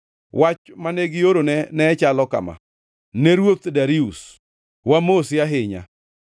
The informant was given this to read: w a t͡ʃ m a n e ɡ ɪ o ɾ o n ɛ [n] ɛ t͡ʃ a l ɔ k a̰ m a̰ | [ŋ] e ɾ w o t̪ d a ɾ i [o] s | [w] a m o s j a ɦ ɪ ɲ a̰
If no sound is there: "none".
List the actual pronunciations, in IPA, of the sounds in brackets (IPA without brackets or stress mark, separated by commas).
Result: n, n, u, w